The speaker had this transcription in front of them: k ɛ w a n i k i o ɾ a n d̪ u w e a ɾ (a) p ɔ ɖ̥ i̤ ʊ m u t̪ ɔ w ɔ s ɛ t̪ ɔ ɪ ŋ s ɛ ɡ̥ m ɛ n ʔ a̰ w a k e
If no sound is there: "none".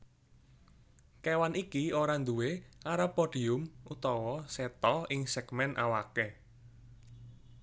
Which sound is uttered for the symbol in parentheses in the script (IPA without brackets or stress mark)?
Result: a